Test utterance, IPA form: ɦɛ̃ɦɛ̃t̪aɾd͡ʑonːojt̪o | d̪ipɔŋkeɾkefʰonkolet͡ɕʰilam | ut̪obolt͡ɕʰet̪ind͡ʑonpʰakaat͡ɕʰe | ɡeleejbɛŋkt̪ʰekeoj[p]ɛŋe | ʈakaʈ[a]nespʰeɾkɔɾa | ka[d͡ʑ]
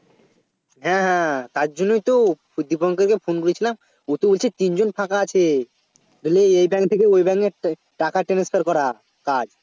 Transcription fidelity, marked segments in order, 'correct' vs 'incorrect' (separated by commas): incorrect, incorrect, correct